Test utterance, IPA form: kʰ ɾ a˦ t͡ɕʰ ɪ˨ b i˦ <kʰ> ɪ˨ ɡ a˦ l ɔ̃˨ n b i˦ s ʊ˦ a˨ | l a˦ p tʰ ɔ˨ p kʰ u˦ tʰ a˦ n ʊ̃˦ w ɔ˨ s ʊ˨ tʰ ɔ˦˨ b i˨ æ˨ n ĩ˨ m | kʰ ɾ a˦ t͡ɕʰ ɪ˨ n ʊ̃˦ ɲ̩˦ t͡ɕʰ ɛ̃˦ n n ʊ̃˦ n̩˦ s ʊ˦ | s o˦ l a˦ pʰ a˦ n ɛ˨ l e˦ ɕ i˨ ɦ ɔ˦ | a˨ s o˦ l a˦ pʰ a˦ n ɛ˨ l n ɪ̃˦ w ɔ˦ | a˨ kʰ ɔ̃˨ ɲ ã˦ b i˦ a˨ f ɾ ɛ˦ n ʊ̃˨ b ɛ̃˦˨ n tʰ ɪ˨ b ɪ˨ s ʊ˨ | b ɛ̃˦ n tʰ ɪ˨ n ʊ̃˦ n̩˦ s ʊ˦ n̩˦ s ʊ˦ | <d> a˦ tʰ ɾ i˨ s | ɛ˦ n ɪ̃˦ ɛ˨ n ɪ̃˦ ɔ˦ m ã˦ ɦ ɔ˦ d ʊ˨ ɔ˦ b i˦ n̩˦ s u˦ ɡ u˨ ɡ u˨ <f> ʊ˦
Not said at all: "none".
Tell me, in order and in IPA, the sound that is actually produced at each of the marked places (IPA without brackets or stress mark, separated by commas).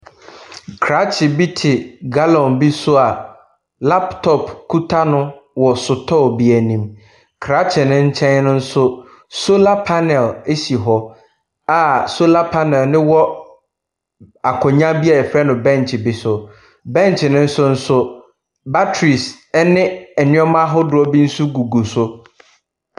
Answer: tʰ, b, s